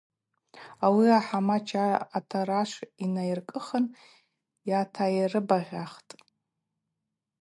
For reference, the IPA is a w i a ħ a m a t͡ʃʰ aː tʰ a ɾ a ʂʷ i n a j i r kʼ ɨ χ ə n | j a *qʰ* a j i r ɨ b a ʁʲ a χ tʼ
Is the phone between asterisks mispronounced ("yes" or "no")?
yes